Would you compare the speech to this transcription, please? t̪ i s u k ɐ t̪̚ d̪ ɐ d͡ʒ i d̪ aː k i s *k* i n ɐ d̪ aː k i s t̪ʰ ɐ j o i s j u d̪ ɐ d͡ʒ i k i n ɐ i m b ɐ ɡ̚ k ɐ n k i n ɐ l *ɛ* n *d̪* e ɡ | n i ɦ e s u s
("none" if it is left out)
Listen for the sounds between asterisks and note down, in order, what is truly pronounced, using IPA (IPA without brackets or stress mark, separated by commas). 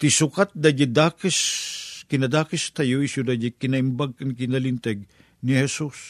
k, i, t̪